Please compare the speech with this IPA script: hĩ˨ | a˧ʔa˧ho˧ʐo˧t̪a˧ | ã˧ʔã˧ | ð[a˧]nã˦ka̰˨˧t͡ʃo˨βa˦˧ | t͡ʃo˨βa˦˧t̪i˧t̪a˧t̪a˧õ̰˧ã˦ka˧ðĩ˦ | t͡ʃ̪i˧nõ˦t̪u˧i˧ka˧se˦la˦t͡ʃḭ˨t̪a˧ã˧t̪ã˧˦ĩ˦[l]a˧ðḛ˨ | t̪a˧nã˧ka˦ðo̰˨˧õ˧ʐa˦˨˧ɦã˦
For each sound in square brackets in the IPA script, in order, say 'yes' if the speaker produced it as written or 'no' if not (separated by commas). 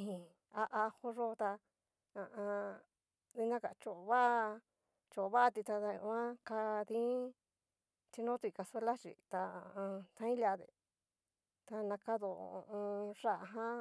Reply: no, yes